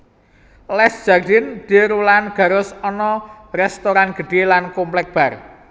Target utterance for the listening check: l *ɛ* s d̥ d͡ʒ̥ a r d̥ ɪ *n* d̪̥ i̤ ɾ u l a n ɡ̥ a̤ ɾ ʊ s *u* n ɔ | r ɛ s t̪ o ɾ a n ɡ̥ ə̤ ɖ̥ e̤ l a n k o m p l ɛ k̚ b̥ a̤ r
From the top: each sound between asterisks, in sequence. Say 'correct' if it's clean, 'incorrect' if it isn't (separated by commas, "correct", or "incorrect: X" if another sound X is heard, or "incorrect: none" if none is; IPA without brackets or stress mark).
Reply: correct, correct, incorrect: ɔ